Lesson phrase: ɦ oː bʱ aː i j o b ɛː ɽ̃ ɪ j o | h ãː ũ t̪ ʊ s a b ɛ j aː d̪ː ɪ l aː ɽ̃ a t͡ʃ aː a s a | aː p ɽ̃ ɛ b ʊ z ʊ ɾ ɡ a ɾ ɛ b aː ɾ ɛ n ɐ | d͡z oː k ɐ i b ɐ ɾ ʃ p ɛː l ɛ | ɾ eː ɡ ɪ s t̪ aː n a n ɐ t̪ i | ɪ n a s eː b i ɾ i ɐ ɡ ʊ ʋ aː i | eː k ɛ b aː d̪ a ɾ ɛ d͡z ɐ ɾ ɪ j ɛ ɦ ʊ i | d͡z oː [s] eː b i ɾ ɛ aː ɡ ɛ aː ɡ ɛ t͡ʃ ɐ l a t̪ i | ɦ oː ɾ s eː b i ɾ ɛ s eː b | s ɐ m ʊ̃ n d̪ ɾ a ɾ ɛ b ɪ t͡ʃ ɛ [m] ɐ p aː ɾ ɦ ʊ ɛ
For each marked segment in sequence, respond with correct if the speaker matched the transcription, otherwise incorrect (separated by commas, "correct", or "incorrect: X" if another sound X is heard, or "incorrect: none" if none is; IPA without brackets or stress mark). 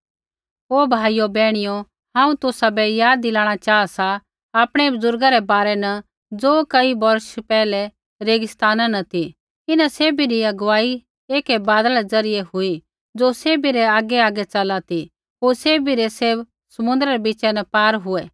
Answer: correct, incorrect: n